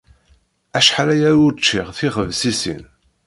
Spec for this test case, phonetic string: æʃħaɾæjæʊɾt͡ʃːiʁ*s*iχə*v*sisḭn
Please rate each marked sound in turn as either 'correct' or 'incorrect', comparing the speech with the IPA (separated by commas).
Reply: incorrect, correct